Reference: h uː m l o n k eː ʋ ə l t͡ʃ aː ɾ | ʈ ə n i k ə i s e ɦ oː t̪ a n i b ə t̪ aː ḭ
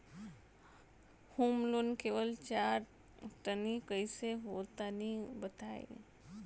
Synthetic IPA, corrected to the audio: h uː m l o n k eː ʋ ə l t͡ʃ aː ɾ | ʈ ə n i k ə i s e ɦ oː t̪ a n i b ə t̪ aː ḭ